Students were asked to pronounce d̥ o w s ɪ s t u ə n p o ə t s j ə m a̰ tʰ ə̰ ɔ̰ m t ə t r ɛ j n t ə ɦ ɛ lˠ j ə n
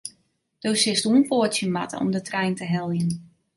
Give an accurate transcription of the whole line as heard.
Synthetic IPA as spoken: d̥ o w s ɪ s t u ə n p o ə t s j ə m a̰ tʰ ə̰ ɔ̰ m d ə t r ɛ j n t ə ɦ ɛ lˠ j ə n